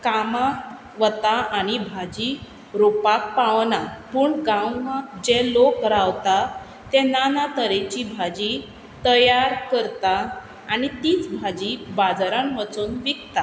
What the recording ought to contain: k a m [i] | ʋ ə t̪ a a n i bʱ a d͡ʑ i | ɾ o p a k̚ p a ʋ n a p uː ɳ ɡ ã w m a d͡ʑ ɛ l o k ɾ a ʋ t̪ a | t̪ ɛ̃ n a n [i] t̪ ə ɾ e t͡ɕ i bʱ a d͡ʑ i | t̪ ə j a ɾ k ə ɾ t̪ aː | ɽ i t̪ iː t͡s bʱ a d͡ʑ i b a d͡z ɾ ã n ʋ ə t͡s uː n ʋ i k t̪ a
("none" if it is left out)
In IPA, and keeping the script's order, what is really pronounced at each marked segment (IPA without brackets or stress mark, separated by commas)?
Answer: a, a